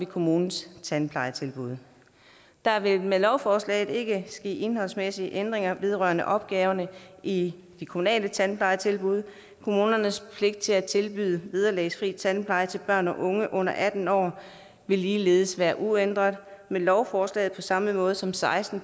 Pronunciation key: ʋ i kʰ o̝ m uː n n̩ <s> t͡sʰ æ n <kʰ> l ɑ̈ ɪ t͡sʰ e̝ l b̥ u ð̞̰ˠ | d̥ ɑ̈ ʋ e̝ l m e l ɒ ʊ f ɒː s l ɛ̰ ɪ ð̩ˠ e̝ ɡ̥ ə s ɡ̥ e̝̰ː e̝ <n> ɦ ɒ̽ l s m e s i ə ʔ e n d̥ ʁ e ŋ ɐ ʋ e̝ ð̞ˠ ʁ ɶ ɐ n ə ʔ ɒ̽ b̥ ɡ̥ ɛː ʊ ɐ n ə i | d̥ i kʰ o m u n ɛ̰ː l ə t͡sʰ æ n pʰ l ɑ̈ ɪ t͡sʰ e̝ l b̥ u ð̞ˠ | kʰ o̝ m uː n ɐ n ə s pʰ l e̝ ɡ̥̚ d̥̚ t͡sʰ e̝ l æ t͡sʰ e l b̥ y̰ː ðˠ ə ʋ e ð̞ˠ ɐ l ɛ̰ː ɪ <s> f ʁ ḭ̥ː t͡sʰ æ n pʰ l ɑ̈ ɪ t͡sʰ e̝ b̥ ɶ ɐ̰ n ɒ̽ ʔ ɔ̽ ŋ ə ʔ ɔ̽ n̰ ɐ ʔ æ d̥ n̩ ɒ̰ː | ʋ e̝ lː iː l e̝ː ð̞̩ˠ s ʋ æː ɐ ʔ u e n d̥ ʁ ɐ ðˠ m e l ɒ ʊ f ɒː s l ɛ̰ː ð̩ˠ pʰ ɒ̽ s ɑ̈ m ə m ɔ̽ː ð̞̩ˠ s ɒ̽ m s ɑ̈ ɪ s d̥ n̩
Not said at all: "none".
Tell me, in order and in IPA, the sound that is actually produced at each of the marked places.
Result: s, pʰ, n, s

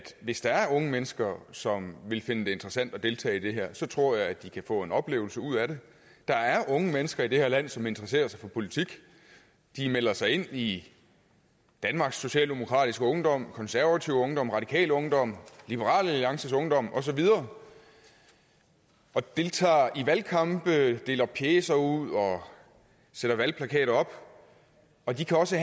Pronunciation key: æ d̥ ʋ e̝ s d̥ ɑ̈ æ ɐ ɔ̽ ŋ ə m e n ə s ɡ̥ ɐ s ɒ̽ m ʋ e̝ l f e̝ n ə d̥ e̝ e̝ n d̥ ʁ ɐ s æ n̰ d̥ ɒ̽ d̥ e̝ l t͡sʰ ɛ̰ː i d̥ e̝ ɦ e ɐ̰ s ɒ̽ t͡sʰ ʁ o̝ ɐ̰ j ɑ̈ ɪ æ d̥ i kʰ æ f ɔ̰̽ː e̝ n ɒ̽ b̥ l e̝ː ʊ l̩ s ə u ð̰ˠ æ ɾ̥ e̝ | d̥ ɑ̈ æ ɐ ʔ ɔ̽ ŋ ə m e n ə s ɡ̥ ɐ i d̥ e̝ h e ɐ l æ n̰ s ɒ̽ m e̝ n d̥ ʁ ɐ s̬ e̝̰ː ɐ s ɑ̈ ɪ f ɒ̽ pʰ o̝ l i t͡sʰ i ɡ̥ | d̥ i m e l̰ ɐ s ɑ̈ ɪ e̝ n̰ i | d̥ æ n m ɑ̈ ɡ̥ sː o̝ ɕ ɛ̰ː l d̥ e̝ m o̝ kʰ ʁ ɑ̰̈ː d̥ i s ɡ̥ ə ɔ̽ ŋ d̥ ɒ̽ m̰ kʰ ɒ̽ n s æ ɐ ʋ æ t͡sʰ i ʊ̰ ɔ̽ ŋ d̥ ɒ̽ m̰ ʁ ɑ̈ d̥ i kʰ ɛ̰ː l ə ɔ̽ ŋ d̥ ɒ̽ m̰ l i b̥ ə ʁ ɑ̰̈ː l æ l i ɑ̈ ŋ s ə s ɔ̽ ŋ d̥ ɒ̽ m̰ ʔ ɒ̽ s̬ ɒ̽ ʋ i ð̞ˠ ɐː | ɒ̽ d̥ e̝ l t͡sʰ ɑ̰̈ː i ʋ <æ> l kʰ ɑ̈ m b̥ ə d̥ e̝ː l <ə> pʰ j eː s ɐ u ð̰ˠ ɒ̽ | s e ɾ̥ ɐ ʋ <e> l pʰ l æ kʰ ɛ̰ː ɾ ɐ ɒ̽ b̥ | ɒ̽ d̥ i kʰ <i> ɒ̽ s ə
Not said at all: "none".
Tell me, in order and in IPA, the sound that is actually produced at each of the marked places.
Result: æ, ɐ, æ, æ

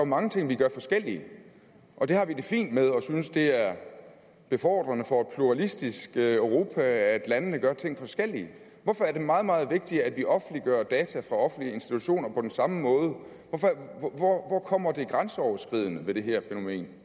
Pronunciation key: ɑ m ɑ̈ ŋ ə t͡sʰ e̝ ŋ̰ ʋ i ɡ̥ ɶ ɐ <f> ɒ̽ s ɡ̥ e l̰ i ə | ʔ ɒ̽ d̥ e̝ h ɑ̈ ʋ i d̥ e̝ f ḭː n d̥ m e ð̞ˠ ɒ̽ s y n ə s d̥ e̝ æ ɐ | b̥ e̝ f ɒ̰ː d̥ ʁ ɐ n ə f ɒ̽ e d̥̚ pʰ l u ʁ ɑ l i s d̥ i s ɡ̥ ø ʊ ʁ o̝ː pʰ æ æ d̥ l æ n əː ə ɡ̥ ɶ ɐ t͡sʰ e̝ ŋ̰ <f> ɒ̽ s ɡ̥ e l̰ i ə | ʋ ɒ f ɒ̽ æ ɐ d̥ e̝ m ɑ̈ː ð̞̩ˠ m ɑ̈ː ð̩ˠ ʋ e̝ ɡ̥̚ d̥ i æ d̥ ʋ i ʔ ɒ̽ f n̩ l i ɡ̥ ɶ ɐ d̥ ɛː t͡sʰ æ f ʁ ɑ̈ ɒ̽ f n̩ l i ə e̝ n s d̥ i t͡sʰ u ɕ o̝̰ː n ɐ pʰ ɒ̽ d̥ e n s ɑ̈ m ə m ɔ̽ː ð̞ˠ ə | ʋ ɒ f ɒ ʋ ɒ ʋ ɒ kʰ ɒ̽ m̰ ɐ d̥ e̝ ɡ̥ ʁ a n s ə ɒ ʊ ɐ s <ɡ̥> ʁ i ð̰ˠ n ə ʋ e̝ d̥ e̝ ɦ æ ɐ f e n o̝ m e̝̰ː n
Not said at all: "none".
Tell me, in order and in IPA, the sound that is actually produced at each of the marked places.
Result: f, f, ɡ̥

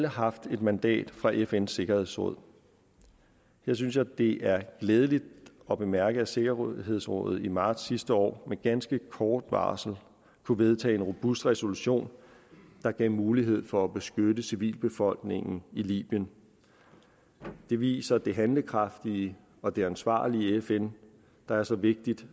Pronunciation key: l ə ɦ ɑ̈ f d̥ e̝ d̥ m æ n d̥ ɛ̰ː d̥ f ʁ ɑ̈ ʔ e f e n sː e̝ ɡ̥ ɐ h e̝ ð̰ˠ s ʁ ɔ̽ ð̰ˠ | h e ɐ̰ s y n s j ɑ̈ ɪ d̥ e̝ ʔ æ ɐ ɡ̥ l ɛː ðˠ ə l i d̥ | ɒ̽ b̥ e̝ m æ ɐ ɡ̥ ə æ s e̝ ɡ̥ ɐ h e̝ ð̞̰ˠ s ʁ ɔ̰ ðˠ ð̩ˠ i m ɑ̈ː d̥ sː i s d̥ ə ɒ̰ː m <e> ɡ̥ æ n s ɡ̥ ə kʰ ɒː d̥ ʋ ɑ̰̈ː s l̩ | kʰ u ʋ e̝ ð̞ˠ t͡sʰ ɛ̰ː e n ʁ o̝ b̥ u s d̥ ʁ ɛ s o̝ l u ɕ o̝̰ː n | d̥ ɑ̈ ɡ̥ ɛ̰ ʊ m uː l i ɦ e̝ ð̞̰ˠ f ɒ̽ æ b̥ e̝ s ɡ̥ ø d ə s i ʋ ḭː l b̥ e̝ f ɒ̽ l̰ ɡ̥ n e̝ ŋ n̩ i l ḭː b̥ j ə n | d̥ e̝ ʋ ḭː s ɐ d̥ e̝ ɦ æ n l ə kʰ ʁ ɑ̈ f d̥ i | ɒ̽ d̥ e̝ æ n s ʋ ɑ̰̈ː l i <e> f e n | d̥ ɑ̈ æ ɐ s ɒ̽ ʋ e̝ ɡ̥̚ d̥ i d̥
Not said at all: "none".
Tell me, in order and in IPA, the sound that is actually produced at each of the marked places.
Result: e, e

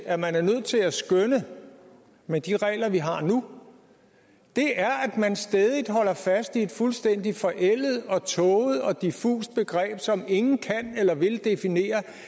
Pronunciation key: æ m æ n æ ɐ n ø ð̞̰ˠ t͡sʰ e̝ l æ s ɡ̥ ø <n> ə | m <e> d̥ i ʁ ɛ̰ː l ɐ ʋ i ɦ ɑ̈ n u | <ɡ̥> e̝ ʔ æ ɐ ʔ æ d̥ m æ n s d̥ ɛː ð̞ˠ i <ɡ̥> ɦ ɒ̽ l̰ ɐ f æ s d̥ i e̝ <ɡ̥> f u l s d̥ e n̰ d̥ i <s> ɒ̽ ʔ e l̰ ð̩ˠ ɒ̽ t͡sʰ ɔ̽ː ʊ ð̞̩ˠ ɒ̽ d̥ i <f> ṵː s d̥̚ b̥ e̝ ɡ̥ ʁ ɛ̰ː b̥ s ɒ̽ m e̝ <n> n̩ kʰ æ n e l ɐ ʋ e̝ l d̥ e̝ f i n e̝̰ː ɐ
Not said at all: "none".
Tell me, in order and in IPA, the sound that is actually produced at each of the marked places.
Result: n, e, d̥, d̥, d̥, f, f, ŋ

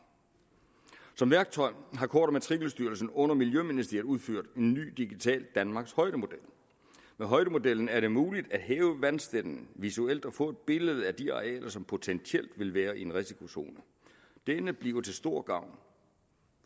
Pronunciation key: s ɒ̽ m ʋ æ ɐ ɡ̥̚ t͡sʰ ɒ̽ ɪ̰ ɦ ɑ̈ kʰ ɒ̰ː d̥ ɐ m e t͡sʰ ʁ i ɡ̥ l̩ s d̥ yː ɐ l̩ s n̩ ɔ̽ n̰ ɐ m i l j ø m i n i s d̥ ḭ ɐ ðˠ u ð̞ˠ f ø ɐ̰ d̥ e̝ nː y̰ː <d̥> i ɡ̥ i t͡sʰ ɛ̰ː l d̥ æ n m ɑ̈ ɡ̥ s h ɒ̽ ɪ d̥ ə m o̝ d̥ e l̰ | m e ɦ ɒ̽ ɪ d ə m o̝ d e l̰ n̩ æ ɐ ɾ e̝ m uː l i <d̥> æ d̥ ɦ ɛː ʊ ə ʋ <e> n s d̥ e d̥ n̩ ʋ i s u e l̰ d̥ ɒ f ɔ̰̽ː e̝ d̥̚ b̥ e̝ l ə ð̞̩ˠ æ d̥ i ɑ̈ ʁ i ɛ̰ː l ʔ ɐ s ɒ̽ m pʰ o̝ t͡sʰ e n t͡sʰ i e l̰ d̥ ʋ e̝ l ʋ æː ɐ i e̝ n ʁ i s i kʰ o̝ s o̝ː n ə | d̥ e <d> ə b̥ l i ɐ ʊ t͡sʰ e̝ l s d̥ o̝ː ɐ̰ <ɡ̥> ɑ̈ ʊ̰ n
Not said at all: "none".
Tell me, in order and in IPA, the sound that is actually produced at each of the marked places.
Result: d̥, d̥, æ, n, ɡ̥

